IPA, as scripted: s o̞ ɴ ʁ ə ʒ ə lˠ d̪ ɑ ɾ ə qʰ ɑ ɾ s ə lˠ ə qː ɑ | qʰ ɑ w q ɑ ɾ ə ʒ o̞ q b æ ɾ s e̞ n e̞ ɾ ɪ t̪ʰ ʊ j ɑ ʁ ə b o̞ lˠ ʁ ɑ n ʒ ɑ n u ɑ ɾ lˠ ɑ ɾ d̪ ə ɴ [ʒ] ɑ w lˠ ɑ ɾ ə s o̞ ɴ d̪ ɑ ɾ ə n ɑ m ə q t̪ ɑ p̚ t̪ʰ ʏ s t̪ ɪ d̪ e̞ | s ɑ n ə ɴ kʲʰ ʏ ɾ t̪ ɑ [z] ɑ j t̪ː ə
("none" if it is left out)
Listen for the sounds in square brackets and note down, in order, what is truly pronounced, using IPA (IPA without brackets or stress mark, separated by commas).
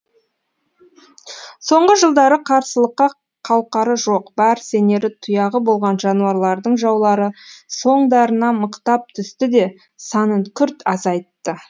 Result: ʒ, z